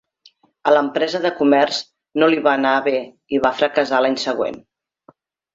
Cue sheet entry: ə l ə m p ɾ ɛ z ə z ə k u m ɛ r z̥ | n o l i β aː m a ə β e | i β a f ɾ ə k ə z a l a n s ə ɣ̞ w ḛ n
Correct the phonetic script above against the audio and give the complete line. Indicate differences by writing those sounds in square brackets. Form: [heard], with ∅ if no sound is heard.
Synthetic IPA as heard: ə l ə m p ɾ ɛ z ə [ð] ə k u m ɛ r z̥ | n o l i β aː [n] a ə β e | i β a f ɾ ə k ə z a l a [ɲ] s ə ɣ̞ w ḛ n